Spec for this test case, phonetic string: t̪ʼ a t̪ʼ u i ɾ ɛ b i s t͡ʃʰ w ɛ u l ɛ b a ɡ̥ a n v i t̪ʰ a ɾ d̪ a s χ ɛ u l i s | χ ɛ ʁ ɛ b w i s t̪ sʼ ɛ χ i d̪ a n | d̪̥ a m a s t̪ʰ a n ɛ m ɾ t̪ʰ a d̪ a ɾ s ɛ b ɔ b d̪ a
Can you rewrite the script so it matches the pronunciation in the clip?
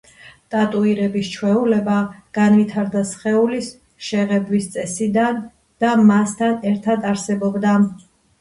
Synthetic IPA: t̪ʼ a t̪ʼ u i ɾ ɛ b i s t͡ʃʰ w ɛ u l ɛ b a ɡ̥ a n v i t̪ʰ a ɾ d̪ a s χ ɛ u l i s | ʃ ɛ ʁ ɛ b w i s t̪ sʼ ɛ s i d̪ a n | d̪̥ a m a s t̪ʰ a n ɛ ɾ t̪ʰ a d̪ a ɾ s ɛ b ɔ b d̪ a